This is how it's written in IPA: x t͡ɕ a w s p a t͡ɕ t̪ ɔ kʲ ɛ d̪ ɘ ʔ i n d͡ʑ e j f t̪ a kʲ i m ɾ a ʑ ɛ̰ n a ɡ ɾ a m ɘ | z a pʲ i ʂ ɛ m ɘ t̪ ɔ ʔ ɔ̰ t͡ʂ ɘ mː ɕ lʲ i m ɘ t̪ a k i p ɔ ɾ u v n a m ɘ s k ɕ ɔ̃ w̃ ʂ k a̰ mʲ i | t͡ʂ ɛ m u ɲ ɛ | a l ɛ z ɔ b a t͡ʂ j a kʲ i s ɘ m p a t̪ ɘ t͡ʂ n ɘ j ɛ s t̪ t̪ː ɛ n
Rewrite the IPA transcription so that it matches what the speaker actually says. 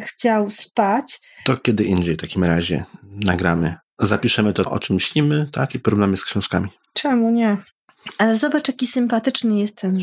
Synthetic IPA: x t͡ɕ a w s p a t͡ɕ t̪ ɔ kʲ ɛ d̪ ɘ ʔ i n d͡ʑ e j f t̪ a kʲ i m ɾ a ʑ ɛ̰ n a ɡ ɾ a m ɘ | z a pʲ i ʂ ɛ m ɘ t̪ ɔ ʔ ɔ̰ t͡ʂ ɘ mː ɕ lʲ i m ɘ t̪ a k i p ɔ ɾ u v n a m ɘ s k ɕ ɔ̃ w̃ ʂ k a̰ mʲ i | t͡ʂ ɛ m u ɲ ɛ | a l ɛ z ɔ b a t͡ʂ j a kʲ i s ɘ m p a t̪ ɘ t͡ʂ n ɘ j ɛ s t̪ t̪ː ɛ n